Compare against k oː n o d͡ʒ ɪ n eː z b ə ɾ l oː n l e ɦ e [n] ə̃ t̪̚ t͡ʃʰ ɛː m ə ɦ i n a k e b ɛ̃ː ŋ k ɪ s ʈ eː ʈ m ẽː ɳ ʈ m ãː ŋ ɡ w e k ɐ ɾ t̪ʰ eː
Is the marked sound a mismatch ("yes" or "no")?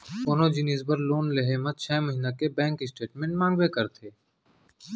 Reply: yes